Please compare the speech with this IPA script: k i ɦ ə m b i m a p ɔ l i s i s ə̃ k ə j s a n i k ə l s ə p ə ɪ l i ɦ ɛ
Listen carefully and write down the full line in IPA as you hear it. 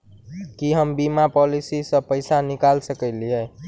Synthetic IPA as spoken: k i ɦ ə m b i m a p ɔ l i s i s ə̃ p ə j s a n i k a l s ə k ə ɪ l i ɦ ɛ